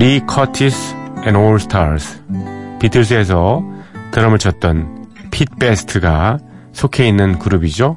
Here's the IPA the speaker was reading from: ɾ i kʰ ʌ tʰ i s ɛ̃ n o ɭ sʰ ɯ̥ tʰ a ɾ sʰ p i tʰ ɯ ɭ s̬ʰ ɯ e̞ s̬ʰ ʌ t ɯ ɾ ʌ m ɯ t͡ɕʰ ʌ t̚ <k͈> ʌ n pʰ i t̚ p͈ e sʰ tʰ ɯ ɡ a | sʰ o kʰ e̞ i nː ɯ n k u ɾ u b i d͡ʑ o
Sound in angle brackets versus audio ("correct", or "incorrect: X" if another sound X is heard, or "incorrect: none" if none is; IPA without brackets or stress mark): incorrect: t͈